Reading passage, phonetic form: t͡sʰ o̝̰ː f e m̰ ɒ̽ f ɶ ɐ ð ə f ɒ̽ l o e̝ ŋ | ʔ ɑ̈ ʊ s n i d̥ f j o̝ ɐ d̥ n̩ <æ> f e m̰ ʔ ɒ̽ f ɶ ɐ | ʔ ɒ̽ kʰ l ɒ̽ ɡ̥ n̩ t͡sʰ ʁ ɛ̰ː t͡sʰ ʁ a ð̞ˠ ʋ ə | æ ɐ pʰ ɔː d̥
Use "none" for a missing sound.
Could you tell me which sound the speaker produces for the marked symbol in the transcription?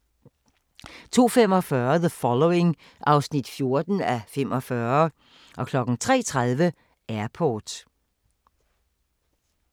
æ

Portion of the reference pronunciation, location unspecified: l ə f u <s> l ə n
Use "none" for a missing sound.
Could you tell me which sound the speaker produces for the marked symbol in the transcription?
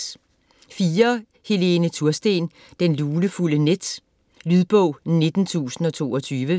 none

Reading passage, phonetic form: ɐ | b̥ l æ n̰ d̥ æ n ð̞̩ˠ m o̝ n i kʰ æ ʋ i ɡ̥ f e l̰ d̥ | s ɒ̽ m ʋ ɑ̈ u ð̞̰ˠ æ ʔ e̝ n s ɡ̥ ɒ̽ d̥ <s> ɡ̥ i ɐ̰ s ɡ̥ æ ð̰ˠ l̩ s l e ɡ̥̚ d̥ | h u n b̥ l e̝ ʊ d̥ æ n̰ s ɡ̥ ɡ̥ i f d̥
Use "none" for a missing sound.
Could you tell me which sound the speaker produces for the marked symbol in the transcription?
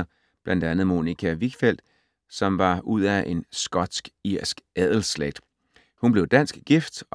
s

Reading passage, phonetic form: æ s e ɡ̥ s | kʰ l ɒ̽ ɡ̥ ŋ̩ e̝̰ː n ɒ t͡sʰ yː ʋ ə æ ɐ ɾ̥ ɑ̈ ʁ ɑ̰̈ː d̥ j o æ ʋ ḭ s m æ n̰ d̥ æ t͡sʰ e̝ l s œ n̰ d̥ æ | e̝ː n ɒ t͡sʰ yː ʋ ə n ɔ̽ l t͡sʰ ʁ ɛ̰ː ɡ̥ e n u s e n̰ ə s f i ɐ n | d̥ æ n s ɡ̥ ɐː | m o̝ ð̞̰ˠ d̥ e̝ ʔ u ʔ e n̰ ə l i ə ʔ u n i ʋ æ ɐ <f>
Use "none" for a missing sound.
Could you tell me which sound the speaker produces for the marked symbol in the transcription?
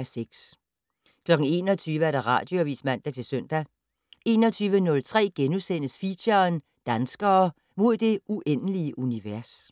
s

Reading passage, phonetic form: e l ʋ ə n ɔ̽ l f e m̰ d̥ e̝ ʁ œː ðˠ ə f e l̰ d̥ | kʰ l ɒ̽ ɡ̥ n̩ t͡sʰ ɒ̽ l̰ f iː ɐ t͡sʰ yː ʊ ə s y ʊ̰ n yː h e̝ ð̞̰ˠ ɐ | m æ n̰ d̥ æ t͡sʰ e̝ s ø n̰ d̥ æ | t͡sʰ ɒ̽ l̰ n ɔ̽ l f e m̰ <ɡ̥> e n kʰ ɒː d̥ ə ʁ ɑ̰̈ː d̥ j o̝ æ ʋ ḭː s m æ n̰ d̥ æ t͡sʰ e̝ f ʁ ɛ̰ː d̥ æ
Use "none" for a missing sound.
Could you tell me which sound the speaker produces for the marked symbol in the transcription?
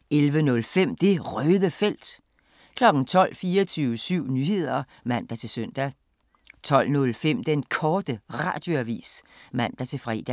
d̥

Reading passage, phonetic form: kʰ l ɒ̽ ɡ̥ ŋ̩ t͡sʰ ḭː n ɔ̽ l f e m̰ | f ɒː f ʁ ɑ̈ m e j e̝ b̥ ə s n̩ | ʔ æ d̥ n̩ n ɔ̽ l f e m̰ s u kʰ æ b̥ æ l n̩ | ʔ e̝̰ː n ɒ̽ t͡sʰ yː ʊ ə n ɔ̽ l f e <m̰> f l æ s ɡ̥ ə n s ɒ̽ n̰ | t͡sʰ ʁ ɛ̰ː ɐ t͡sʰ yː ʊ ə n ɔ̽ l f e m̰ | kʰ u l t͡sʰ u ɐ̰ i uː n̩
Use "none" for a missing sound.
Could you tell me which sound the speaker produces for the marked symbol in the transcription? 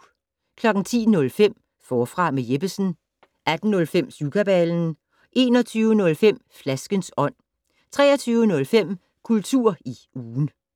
m̰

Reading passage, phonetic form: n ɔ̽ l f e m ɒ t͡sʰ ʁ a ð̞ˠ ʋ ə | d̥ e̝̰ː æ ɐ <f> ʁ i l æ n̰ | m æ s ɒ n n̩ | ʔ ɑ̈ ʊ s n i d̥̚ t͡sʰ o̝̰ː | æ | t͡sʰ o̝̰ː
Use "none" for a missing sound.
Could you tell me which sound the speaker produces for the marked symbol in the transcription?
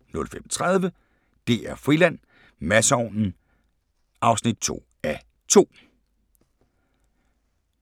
f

